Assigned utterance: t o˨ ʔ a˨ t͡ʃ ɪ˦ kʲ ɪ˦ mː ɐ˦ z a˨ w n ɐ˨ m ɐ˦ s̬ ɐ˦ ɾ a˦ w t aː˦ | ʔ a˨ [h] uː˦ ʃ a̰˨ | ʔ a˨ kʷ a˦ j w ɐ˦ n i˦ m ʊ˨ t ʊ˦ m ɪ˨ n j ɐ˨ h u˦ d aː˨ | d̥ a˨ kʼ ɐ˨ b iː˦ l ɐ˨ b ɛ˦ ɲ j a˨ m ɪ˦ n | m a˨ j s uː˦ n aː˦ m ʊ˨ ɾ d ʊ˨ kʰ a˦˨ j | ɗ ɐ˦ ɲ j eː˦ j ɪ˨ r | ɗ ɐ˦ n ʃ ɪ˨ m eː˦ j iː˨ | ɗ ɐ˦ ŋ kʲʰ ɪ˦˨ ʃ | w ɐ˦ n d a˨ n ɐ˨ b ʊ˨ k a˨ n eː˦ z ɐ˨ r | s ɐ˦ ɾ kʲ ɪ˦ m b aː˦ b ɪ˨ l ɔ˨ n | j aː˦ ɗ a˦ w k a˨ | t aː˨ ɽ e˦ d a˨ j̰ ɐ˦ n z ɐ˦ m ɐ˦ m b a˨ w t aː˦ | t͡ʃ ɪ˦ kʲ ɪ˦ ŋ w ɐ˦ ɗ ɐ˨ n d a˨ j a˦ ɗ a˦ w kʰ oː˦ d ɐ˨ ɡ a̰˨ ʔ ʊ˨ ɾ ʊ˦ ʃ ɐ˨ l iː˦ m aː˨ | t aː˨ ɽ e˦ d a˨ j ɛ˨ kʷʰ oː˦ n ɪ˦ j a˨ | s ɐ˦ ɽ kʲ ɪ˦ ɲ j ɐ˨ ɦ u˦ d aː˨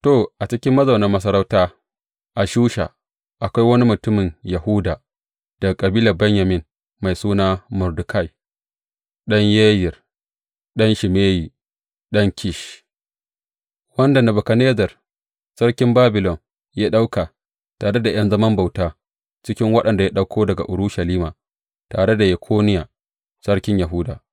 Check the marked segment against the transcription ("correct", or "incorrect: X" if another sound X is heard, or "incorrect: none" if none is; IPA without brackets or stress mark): incorrect: ʃ